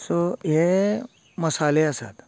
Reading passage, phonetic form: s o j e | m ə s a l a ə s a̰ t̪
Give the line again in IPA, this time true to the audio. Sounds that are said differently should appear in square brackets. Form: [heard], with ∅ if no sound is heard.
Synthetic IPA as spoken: s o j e | m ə s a l [e] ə s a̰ t̪